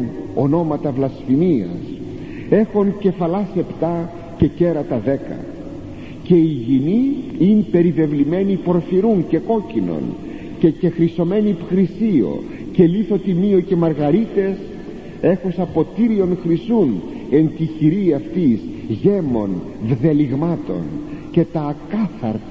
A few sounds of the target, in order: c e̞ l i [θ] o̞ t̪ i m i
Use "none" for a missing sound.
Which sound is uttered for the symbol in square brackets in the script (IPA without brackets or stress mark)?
θ